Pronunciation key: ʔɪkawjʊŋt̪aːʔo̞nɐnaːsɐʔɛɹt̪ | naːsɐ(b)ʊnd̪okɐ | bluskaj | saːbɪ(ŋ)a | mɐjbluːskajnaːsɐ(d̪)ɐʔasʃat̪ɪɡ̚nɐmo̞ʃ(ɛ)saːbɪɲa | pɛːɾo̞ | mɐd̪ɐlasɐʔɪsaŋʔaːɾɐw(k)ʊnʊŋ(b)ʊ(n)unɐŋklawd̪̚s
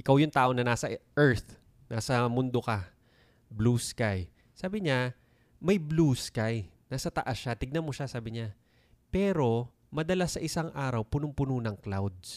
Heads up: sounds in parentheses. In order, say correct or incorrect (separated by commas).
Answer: incorrect, incorrect, incorrect, incorrect, incorrect, incorrect, correct